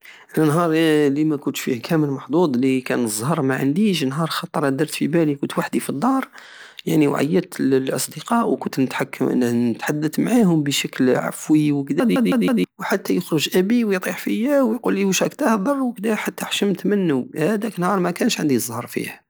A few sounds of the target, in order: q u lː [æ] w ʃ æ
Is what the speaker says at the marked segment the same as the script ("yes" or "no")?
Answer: no